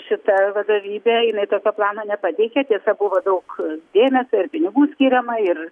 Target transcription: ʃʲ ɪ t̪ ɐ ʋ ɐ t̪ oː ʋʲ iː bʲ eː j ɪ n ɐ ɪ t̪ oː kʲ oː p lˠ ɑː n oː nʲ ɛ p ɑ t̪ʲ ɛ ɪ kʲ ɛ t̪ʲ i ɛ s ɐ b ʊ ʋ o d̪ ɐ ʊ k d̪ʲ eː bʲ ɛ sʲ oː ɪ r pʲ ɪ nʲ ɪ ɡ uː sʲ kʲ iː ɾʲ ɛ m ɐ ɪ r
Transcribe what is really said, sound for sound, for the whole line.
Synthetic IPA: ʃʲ ɪ t̪ ɐ ʋ ɐ d̪ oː ʋʲ iː bʲ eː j ɪ n ɐ ɪ t̪ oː kʲ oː p lˠ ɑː n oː nʲ ɛ p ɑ t̪ʲ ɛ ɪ kʲ ɛ t̪ʲ i ɛ s ɐ b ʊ ʋ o d̪ ɐ ʊ k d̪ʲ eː mʲ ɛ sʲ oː ɪ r pʲ ɪ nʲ ɪ ɡ uː sʲ kʲ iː ɾʲ ɛ m ɐ ɪ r